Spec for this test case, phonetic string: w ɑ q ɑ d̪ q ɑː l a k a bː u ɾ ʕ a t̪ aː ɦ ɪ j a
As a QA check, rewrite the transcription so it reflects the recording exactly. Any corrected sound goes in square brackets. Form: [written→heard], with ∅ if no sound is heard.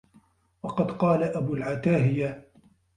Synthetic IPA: w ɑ q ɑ d̪ q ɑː l a [k→ʔ] a [bː→b] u [ɾ→l] ʕ a t̪ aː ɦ ɪ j a